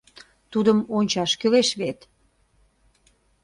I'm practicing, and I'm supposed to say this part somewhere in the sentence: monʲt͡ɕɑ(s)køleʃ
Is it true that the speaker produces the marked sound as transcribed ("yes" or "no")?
no